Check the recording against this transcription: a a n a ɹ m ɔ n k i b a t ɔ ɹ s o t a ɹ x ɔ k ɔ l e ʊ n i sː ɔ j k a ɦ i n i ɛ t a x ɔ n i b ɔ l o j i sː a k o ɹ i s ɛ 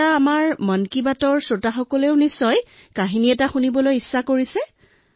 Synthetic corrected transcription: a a m a ɹ m ɔ n k i b a t ɔ ɹ s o t a x ɔ k ɔ l e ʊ n i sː ɔ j k a ɦ i n i ɛ t a x u n i b ɔ l o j i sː a k o ɹ i s ɛ